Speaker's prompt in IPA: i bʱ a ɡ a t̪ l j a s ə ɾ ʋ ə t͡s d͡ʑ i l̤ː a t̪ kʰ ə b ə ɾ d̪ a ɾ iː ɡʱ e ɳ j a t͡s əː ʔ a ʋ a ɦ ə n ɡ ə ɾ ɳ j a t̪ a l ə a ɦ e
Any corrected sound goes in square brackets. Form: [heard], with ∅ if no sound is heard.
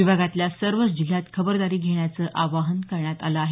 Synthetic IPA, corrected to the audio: i bʱ a ɡ a t̪ l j a s ə ɾ ʋ ə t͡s d͡ʑ i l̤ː a t̪ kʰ ə b ə ɾ d̪ a ɾ iː ɡʱ e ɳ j a t͡s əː ʔ a ʋ a ɦ ə n [k] ə ɾ ɳ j a t̪ a l ə a ɦ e